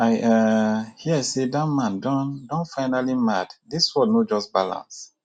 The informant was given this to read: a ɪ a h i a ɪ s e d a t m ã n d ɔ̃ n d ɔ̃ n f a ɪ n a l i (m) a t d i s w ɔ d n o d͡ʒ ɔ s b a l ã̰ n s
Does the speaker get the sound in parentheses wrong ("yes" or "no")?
no